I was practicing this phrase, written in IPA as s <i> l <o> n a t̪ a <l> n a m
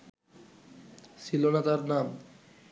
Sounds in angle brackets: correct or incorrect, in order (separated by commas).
correct, correct, incorrect